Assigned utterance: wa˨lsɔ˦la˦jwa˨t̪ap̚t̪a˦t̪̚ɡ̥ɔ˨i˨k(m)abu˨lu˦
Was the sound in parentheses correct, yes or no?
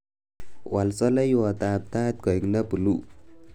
no